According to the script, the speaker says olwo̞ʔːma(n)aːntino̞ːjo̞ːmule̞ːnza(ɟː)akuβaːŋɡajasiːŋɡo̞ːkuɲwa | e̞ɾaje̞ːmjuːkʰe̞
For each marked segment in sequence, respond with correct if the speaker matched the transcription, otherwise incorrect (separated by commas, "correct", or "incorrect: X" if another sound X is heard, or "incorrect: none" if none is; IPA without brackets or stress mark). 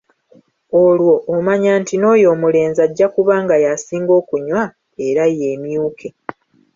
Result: incorrect: ɲ, correct